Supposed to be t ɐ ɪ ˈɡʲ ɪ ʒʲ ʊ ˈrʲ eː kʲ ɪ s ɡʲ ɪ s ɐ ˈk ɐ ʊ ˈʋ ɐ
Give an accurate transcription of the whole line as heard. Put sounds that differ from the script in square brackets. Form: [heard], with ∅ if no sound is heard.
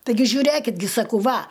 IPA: t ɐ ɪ ˈɡʲ ɪ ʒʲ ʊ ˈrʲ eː kʲ ɪ [t] ɡʲ ɪ s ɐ ˈk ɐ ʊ ˈʋ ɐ